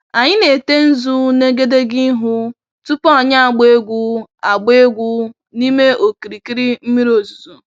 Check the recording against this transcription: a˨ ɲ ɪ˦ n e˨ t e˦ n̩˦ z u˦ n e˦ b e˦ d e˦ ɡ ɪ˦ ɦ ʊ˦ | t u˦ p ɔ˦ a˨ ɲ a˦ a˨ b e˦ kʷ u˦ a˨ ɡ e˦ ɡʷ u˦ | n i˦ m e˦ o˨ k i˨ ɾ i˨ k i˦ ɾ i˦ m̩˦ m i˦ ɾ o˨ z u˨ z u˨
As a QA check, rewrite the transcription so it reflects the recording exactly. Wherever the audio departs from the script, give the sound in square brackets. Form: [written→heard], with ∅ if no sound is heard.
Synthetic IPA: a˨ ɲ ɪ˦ n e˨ t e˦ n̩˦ z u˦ n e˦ [b→ɡ] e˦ d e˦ ɡ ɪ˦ ɦ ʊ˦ | t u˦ p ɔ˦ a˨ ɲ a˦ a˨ [b→ɡ͡b] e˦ [kʷ→ɡʷ] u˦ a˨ [ɡ→ɡ͡b] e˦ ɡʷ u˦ | n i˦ m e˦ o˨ k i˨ ɾ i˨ k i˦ ɾ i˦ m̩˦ m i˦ ɾ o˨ z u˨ z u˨